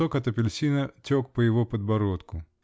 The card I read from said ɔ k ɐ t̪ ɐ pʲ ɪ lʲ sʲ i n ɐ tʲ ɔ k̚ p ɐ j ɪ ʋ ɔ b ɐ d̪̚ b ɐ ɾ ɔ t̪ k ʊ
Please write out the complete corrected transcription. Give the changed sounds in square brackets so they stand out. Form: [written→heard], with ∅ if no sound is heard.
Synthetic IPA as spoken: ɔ k ɐ t̪ ɐ pʲ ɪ lʲ sʲ i n ɐ tʲ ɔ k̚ p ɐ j ɪ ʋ ɔ [b→p] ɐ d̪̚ b ɐ ɾ ɔ t̪ k ʊ